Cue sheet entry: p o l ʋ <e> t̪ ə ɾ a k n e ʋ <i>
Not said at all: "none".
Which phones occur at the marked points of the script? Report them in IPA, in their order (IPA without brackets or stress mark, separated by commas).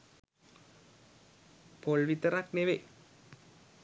i, e